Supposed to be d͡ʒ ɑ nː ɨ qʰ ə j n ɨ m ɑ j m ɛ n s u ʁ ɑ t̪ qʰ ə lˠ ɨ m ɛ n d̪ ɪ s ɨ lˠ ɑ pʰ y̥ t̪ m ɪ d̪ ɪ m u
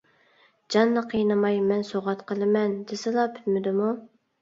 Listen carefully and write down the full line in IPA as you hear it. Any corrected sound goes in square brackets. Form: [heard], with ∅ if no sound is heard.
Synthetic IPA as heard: d͡ʒ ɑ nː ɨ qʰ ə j n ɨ m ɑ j m ɛ n s [o] ʁ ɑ t̪ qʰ ə lˠ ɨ m ɛ n d̪ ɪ s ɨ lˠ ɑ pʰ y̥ t̪ m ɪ d̪ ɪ m u